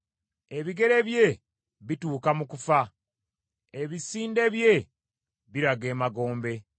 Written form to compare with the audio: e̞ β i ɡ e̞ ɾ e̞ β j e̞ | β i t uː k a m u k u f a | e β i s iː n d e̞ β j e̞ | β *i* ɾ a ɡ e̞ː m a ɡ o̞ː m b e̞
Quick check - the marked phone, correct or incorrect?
correct